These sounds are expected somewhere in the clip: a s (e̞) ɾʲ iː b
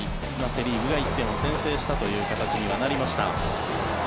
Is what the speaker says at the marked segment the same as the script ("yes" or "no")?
yes